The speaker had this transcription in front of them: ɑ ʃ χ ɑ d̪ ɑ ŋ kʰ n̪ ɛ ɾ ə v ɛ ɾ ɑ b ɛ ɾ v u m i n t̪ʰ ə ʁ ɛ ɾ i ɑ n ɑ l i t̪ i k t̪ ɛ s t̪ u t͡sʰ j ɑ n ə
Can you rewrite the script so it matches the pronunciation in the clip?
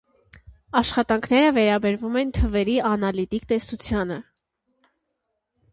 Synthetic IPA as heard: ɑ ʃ χ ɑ t̪ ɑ ŋ kʰ n̪ ɛ ɾ ə v ɛ ɾ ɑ b ɛ ɾ v u m ɛ n t̪ʰ ə v ɛ ɾ i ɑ n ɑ l i t̪ i k t̪ ɛ s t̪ u t͡sʰ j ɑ n ə